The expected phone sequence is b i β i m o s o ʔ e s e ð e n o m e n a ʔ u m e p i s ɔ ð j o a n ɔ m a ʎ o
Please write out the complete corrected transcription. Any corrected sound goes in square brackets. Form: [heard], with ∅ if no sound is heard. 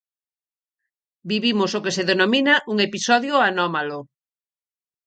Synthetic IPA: b i β i m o s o [k] e s e ð e n o m [i] n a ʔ u [ŋ] e p i s ɔ ð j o a n ɔ m a [l] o

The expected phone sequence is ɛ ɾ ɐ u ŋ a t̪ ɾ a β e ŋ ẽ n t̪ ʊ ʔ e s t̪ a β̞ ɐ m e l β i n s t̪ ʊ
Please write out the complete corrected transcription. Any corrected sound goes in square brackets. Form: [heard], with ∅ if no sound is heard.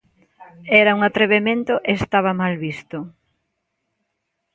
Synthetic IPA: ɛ ɾ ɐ u ŋ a t̪ ɾ [e] β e [m] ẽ n t̪ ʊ ʔ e s t̪ a β̞ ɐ m [a] l β i [∅] s t̪ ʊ

